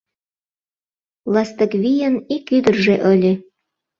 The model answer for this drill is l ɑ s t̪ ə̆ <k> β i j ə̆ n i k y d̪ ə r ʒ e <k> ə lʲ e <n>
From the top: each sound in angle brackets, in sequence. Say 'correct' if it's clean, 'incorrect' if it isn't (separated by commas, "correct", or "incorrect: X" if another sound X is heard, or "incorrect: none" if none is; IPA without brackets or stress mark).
correct, incorrect: ʔ, incorrect: none